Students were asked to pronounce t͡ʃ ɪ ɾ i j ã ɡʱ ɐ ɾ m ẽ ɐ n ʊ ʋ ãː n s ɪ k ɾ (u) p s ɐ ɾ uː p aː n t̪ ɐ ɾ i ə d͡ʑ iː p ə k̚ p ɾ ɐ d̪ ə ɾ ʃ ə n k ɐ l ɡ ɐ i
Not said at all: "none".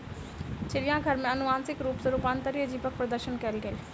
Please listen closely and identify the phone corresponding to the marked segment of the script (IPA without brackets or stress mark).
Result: uː